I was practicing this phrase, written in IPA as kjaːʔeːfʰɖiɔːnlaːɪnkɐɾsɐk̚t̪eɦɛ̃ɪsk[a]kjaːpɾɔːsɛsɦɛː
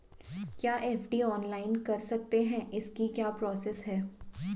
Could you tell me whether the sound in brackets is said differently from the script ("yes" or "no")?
yes